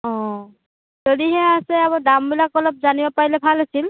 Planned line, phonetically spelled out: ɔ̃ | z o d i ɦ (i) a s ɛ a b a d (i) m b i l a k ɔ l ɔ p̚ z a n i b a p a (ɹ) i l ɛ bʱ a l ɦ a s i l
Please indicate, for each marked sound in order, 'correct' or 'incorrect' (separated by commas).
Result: incorrect, incorrect, correct